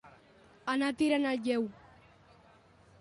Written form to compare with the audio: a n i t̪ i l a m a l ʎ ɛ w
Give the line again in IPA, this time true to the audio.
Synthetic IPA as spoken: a n a t̪ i ɾ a n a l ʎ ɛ w